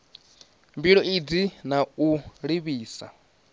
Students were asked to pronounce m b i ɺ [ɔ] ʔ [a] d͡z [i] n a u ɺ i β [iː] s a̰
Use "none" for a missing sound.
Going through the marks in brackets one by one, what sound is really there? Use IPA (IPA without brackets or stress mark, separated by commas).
ɔ, i, i, iː